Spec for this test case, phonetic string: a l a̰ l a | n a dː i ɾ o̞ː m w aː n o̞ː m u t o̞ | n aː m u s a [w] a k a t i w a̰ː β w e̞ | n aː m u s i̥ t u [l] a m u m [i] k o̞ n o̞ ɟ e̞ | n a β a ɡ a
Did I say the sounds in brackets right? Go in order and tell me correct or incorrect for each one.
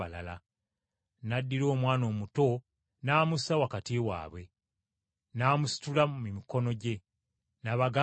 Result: correct, correct, correct

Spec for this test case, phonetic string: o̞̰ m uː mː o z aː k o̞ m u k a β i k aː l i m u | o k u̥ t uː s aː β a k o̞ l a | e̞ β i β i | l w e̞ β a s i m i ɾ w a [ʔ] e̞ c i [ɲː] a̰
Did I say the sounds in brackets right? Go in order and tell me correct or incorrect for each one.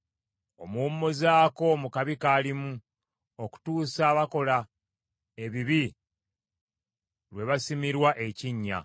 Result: correct, correct

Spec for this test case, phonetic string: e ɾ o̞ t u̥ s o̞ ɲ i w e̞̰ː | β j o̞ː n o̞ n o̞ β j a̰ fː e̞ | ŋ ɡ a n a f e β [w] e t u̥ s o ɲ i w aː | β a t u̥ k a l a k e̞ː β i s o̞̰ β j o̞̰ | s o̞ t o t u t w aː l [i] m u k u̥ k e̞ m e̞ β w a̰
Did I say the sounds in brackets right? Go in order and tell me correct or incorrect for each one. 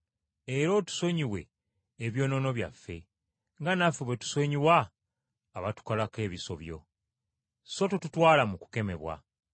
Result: correct, incorrect: a

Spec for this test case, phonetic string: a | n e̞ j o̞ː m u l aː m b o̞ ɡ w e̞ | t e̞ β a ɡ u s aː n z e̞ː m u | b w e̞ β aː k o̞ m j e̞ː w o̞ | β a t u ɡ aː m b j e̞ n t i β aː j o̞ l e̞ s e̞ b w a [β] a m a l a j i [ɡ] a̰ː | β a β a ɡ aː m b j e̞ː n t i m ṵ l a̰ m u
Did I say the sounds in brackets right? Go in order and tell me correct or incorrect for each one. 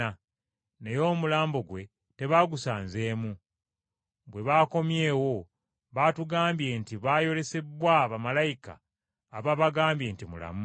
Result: correct, incorrect: k

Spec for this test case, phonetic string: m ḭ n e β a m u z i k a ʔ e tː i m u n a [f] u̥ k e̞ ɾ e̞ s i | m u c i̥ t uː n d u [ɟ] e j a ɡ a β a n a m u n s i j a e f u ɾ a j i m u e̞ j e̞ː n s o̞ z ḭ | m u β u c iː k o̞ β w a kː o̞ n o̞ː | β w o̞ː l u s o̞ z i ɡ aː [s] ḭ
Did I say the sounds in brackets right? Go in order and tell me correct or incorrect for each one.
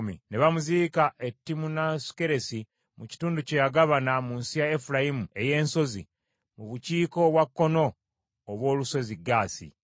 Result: incorrect: s, incorrect: c, correct

